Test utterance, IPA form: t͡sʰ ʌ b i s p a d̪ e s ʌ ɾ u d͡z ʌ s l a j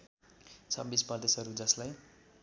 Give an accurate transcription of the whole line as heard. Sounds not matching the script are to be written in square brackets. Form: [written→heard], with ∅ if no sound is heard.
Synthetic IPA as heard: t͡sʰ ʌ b i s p [a→ʌ] d̪ e s ʌ ɾ u d͡z ʌ s l a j